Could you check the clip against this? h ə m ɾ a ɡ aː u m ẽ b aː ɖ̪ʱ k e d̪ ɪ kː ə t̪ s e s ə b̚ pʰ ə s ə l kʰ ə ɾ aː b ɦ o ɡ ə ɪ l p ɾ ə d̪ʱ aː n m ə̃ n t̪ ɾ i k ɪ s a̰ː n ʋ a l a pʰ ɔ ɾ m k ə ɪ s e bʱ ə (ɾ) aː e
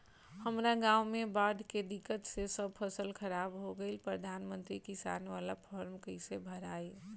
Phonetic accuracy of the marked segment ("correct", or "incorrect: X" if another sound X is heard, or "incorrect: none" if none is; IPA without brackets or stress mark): correct